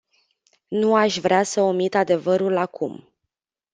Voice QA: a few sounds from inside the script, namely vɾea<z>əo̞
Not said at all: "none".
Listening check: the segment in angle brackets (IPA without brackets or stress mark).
s